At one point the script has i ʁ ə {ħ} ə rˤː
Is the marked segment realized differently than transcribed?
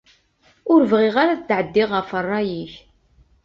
yes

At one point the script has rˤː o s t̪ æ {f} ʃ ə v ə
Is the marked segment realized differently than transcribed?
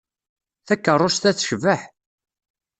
yes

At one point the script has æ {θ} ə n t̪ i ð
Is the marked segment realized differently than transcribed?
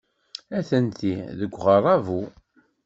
no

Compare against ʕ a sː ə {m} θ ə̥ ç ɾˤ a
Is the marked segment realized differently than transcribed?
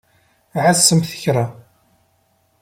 no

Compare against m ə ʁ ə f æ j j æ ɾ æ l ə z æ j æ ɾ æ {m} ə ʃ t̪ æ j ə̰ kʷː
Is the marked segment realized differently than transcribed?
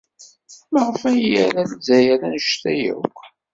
yes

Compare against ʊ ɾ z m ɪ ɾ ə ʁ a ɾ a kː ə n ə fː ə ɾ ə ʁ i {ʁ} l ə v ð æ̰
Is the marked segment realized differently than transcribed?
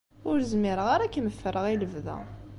yes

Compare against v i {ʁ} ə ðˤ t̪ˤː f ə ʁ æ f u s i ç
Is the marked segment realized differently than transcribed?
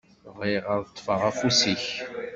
no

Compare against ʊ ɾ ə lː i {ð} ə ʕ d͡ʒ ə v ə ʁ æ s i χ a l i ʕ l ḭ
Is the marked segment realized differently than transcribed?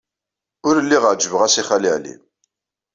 yes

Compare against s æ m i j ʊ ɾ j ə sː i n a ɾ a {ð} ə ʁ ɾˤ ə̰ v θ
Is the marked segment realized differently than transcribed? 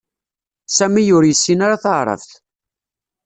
yes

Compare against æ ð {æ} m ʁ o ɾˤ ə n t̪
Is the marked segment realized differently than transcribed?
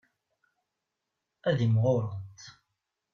yes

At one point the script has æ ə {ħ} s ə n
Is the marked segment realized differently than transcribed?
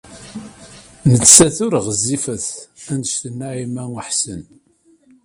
no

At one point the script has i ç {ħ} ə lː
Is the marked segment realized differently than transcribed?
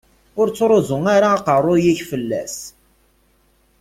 yes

